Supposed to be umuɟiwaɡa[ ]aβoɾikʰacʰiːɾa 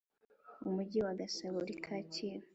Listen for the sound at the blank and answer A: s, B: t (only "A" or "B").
A